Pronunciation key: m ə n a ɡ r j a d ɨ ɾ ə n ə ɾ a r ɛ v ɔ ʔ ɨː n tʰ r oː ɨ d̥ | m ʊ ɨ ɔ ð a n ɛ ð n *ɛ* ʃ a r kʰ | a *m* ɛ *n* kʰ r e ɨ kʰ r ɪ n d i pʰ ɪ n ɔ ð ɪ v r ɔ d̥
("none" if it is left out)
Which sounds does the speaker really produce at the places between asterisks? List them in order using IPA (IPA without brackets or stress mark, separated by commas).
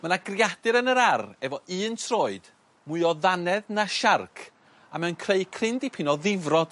a, m, n